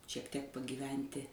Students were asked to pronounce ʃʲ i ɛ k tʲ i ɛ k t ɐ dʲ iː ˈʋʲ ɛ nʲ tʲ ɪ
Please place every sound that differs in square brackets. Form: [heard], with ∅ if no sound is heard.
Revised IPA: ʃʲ i ɛ k tʲ i ɛ k [p] ɐ [ɡʲ] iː ˈʋʲ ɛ nʲ tʲ ɪ